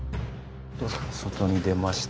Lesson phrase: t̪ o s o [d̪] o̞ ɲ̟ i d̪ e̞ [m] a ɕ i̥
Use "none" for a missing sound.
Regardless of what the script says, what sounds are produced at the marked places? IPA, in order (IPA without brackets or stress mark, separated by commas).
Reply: t̪, m